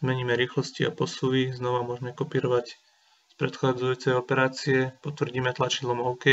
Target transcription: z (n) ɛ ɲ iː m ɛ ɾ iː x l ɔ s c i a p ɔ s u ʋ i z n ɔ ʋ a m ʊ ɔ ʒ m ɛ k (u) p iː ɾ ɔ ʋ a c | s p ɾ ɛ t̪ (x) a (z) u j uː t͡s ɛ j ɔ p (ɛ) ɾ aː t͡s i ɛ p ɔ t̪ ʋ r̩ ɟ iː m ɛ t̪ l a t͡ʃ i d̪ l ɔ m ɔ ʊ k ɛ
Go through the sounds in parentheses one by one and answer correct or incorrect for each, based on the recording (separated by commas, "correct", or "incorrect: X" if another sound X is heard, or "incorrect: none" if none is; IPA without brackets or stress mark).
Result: incorrect: m, incorrect: ɔ, correct, incorrect: d͡z, correct